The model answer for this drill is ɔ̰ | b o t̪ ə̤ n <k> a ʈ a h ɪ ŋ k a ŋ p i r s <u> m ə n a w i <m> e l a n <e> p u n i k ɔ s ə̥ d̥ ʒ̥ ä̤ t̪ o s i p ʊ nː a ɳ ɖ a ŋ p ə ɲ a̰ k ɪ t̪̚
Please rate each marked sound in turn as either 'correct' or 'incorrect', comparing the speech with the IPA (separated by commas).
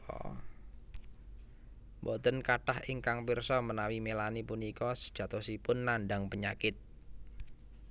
correct, incorrect, correct, incorrect